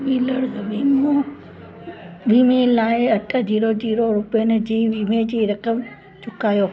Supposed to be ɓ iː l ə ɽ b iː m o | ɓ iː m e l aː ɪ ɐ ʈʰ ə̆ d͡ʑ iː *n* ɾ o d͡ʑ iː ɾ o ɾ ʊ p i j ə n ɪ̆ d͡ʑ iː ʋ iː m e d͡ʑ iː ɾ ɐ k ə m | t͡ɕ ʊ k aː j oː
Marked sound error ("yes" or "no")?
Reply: yes